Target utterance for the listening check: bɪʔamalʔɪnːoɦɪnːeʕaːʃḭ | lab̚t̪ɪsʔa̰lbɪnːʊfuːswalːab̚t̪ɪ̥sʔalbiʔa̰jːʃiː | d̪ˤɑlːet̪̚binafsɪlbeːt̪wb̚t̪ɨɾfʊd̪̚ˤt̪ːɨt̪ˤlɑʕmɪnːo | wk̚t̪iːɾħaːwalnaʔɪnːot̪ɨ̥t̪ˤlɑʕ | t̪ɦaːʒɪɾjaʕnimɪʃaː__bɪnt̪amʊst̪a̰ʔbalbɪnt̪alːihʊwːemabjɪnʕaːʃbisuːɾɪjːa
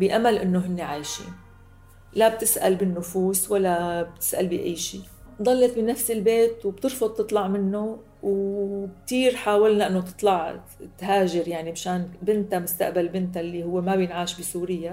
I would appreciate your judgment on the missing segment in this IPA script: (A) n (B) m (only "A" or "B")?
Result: A